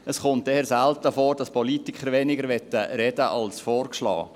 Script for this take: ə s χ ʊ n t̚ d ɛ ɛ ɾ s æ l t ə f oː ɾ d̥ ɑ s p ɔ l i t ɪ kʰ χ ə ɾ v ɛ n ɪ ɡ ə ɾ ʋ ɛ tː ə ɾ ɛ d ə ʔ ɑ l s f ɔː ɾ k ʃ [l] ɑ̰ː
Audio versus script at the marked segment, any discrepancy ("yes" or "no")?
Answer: no